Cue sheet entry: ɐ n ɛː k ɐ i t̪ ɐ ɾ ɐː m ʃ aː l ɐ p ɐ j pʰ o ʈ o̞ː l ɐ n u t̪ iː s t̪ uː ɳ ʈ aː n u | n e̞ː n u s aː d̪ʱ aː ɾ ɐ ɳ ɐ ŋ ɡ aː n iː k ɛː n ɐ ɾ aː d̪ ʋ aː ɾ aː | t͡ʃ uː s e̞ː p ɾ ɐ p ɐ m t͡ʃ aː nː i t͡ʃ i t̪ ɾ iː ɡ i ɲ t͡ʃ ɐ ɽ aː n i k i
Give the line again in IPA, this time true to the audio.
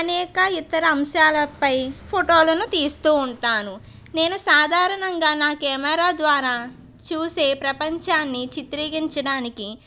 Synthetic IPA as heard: ɐ n ɛː k ɐ i t̪ ɐ ɾ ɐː m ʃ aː l ɐ p ɐ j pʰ o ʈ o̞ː l ɐ n u t̪ iː s t̪ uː ɳ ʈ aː n u | n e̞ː n u s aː d̪ʱ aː ɾ ɐ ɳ ɐ ŋ ɡ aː n aː k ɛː m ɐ ɾ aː d̪ ʋ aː ɾ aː | t͡ʃ uː s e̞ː p ɾ ɐ p ɐ ɲ t͡ʃ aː nː i t͡ʃ i t̪ ɾ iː ɡ i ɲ t͡ʃ ɐ ɽ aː n i k i